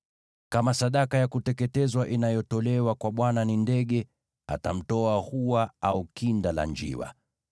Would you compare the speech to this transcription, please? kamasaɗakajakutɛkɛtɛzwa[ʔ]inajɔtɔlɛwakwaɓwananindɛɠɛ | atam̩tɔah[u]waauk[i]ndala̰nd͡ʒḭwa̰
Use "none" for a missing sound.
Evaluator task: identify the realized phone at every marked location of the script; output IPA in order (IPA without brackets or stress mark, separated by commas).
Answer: ʔ, u, i